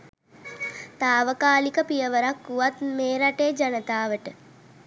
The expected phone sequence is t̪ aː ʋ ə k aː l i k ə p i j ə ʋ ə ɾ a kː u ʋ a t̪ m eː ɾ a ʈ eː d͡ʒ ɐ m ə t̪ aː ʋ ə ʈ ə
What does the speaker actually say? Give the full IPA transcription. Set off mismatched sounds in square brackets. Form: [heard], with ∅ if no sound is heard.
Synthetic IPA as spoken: t̪ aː ʋ ə k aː l i k ə p i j ə ʋ ə ɾ a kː u ʋ a t̪ m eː ɾ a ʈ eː d͡ʒ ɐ [n] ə t̪ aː ʋ ə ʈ ə